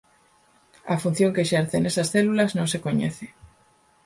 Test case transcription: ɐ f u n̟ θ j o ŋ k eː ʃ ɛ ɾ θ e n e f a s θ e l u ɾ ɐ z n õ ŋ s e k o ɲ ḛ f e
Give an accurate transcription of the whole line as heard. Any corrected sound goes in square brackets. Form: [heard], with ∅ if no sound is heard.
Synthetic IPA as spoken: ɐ f u n̟ θ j o ŋ k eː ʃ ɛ ɾ θ e n e [s] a s θ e l u [l] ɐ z n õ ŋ s e k o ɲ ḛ [θ] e